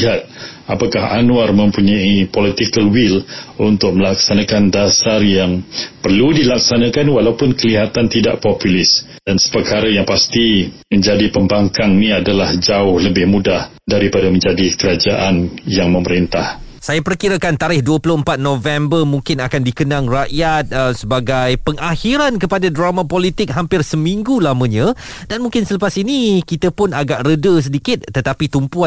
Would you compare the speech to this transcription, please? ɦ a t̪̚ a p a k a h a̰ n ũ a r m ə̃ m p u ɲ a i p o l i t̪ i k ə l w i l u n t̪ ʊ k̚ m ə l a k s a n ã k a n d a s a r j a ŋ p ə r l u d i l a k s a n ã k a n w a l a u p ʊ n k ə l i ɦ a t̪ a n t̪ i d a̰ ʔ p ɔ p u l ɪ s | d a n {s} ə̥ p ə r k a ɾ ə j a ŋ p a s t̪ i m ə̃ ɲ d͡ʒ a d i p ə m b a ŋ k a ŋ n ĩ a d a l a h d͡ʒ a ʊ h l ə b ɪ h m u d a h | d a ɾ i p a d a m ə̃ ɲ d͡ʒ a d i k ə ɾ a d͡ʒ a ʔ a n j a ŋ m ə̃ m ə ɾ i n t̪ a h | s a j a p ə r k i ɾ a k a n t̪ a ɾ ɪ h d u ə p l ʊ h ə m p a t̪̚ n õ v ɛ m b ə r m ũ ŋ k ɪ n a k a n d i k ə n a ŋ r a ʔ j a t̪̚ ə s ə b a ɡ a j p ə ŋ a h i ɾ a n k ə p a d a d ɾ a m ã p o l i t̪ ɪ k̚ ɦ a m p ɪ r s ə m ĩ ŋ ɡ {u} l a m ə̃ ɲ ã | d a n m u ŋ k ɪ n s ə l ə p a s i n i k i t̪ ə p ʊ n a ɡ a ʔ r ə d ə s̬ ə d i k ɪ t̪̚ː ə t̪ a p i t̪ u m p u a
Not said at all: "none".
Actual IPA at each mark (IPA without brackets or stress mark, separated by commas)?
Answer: s, u